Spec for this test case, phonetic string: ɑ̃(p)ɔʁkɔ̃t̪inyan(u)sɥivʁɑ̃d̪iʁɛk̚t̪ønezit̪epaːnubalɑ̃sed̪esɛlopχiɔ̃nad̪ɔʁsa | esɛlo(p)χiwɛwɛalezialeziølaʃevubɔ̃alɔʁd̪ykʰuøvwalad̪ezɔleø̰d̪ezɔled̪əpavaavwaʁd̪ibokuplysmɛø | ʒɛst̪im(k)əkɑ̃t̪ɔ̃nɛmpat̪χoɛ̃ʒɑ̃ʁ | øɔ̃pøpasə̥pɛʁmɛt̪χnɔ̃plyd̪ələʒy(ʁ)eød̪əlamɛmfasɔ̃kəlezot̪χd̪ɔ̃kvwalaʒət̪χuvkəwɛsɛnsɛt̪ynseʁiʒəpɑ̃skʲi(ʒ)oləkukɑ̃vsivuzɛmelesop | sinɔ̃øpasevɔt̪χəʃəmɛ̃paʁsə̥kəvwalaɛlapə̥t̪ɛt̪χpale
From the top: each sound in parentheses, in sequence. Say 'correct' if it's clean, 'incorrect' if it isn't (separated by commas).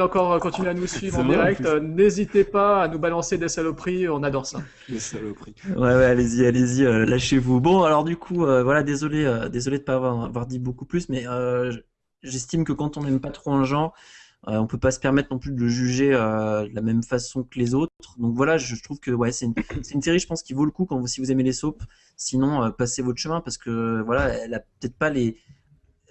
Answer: incorrect, correct, correct, correct, incorrect, incorrect